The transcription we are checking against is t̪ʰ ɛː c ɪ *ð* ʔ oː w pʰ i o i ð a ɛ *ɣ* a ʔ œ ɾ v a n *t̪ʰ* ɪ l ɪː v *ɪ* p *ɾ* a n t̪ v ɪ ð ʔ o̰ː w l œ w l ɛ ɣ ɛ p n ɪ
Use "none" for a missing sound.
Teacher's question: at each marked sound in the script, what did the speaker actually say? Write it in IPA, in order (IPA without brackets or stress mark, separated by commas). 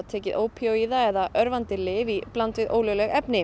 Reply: ð, ð, t̪, i, l